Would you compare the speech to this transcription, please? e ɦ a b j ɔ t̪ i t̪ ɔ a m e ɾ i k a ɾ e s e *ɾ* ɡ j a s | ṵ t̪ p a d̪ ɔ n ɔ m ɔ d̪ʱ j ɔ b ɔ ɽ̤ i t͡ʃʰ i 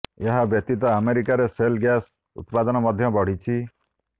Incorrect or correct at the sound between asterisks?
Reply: incorrect: l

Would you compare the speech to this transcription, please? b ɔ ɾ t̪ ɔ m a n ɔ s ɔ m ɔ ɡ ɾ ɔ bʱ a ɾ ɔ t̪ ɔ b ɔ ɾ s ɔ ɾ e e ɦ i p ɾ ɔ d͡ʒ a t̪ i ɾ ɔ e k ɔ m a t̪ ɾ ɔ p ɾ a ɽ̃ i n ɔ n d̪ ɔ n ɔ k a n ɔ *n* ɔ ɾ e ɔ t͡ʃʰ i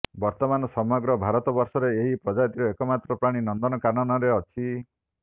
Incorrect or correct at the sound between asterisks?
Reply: correct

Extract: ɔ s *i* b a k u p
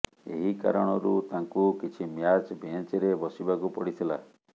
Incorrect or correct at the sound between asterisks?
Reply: correct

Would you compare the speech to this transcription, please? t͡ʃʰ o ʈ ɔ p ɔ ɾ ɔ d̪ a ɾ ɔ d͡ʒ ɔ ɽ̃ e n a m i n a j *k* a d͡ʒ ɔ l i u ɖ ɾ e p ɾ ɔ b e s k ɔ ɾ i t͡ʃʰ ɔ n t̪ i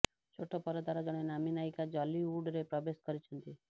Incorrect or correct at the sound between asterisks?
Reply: correct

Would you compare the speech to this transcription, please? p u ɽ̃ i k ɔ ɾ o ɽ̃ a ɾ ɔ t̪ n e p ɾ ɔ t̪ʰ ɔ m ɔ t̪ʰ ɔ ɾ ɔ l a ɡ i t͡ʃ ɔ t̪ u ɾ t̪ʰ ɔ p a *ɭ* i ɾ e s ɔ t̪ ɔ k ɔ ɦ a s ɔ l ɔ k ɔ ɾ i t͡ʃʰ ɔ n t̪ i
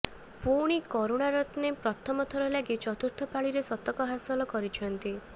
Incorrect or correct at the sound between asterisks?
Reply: correct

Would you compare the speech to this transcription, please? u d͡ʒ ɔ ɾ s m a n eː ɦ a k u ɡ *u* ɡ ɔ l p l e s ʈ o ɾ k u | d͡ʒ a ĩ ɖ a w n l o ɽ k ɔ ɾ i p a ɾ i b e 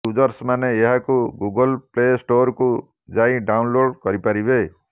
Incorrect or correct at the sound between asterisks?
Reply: correct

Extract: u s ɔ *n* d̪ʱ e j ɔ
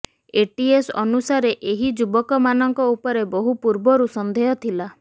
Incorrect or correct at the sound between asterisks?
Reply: correct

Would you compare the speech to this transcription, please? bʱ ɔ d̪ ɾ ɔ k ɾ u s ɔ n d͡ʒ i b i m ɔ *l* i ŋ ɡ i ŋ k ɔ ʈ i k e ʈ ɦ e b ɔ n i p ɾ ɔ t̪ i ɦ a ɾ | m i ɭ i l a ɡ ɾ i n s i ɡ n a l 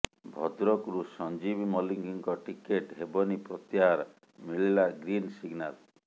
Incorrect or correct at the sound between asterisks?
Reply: correct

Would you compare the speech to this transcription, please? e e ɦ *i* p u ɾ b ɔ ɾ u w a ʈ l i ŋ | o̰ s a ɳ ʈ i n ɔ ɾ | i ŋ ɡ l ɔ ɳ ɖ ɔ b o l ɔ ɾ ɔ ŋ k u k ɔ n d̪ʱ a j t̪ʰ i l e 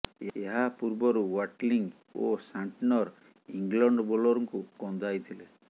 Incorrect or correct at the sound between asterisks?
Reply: incorrect: a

